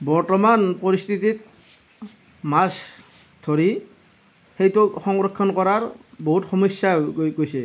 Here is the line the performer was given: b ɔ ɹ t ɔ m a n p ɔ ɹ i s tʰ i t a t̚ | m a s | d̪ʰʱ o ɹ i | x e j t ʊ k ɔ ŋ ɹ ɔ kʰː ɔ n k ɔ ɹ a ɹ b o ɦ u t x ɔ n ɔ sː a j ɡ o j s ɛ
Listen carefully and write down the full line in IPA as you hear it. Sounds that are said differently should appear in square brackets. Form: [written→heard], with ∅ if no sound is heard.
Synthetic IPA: b ɔ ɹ t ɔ m a n p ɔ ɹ i s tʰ i t [a→i] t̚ | m a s | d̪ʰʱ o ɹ i | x e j t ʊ [k→x] ɔ ŋ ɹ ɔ kʰː ɔ n k ɔ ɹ a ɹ b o ɦ u t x ɔ [n→m] ɔ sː a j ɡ o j s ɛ